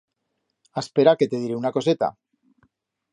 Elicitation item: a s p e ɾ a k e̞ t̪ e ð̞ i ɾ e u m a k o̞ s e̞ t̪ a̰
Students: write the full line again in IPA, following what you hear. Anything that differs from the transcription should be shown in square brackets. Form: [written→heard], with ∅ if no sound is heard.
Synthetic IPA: a s p e ɾ a k e̞ t̪ e ð̞ i ɾ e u [m→n] a k o̞ s e̞ t̪ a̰